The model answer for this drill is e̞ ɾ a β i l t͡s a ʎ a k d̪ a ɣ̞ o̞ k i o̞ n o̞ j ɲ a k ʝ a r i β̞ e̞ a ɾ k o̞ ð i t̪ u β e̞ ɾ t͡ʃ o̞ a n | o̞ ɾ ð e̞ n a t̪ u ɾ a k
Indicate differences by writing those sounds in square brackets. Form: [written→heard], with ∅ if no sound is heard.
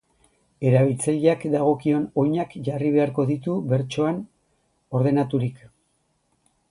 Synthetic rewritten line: e̞ ɾ a β i l t͡s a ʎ a k d̪ a ɣ̞ o̞ k i o̞ n o̞ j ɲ a k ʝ a r i β̞ e̞ a ɾ k o̞ ð i t̪ u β e̞ ɾ t͡ʃ o̞ a n | o̞ ɾ ð e̞ n a t̪ u ɾ [a→i] k